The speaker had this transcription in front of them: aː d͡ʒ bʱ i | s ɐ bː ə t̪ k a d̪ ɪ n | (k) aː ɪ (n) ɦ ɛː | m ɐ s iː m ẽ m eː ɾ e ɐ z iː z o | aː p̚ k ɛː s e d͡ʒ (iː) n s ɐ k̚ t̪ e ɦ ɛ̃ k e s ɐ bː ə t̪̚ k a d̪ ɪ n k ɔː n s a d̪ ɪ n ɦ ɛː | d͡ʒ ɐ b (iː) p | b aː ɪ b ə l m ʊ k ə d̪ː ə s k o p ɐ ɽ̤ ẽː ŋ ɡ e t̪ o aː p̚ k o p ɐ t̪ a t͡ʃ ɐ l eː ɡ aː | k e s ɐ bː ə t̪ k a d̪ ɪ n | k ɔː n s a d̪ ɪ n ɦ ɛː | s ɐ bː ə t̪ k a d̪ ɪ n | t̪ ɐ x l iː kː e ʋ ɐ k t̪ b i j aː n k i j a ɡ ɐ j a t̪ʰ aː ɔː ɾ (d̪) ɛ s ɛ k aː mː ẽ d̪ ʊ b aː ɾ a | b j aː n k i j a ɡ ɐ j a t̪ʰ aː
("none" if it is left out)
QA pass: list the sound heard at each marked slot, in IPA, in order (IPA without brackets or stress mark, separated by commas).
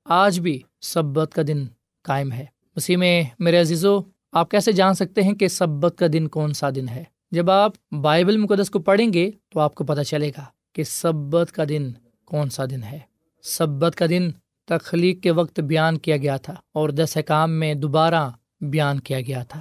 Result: k, m, aː, aː, d̪